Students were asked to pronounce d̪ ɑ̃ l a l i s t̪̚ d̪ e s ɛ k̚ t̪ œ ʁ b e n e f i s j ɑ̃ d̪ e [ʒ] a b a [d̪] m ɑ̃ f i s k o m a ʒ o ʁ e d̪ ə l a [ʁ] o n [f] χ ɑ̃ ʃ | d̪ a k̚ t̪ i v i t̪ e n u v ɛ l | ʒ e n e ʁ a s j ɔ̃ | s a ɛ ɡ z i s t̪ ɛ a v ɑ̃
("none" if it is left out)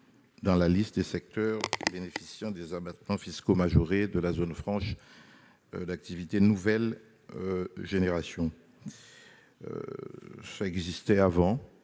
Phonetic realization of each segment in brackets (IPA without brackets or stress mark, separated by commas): z, t̪, z, f